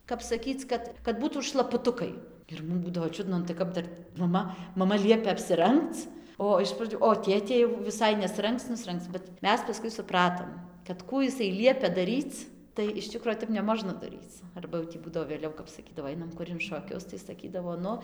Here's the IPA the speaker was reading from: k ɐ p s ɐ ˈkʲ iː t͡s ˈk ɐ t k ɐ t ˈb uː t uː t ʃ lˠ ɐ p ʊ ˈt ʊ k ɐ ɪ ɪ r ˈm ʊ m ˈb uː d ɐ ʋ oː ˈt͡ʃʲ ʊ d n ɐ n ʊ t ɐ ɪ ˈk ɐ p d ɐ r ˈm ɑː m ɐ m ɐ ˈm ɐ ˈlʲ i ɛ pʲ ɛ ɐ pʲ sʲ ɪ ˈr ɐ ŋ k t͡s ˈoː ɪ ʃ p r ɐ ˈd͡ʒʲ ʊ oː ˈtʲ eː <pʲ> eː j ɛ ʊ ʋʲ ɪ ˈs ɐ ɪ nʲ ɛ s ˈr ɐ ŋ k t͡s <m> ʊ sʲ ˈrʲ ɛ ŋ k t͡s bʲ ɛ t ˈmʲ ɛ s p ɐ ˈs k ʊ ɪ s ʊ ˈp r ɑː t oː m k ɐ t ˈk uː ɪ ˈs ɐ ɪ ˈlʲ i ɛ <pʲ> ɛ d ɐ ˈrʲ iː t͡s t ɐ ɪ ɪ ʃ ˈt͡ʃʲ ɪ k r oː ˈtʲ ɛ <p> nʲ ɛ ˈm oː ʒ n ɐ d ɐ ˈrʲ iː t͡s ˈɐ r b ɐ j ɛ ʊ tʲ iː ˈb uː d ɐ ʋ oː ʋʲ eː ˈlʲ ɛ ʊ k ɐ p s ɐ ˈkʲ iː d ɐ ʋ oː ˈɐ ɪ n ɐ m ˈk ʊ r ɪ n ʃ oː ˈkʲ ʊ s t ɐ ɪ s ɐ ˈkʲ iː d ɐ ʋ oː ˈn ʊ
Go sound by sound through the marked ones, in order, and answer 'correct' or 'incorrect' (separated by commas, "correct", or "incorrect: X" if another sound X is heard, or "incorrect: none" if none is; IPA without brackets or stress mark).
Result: incorrect: tʲ, incorrect: n, correct, correct